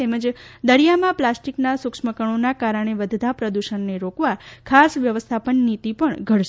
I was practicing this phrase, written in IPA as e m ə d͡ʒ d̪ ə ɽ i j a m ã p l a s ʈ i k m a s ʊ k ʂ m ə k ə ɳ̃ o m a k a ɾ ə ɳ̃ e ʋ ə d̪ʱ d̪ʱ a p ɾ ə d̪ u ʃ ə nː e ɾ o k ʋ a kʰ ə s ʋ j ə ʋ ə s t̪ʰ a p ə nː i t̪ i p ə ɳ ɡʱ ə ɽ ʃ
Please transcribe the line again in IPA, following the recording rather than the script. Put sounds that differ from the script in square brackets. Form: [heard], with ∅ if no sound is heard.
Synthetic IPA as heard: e m ə d͡ʒ d̪ ə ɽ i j a m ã p l a s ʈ i k [n] a s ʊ k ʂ m ə k ə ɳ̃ o [n] a k a ɾ ə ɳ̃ e ʋ ə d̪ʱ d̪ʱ a p ɾ ə d̪ u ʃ ə nː e ɾ o k ʋ a kʰ [a] s ʋ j ə ʋ ə s t̪ʰ a p ə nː i t̪ i p ə ɳ ɡʱ ə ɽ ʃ